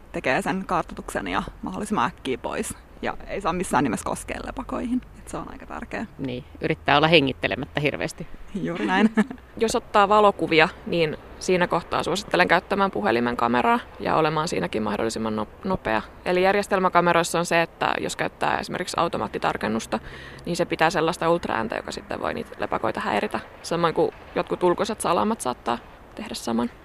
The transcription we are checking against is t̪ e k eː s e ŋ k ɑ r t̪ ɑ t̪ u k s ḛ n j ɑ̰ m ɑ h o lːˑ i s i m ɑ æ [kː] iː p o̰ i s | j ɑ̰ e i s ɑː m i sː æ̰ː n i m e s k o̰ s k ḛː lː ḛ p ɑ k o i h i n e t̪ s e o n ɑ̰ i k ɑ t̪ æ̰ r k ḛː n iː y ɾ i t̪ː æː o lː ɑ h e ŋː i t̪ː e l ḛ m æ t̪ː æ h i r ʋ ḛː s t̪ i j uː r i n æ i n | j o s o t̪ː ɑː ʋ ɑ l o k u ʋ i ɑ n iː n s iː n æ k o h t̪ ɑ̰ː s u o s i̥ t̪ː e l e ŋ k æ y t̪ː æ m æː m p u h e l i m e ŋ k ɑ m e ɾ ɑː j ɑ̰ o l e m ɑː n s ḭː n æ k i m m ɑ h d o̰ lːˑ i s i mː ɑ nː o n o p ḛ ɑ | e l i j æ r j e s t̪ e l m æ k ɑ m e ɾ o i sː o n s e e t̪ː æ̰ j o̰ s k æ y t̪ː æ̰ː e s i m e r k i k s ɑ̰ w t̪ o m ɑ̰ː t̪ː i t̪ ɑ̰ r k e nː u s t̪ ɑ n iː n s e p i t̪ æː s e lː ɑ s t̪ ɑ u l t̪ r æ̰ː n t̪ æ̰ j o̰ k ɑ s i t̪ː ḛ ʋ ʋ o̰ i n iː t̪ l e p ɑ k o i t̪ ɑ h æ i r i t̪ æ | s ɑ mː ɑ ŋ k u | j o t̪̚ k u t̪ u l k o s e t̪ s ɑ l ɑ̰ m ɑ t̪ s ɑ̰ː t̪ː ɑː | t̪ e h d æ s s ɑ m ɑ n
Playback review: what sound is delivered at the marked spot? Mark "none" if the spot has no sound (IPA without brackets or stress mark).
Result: kː